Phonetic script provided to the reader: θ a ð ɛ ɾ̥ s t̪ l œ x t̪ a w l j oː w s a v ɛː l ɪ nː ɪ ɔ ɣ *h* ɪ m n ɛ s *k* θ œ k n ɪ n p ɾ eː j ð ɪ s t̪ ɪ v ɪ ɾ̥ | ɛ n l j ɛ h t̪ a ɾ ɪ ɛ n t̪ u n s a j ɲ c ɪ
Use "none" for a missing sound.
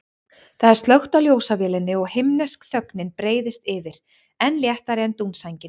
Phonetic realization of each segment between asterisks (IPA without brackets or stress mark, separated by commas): h, k